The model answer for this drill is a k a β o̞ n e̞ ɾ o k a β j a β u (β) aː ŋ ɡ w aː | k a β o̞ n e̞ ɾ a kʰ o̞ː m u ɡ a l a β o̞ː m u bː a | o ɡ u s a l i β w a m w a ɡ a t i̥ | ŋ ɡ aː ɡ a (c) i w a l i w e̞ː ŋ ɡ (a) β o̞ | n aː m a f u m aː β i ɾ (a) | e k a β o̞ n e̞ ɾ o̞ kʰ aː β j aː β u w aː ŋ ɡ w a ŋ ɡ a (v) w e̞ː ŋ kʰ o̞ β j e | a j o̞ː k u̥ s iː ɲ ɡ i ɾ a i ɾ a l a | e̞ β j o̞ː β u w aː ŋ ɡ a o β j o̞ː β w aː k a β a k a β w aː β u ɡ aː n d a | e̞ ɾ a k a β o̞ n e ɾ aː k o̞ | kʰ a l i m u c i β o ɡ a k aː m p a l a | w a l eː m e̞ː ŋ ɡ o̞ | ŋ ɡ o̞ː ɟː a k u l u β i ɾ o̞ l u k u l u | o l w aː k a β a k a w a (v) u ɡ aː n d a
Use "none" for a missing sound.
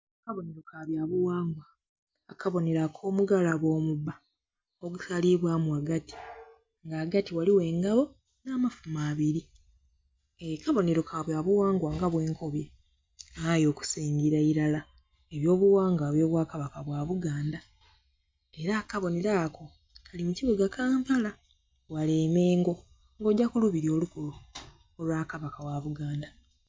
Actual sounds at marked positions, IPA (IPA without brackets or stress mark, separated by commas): w, t, a, i, β, β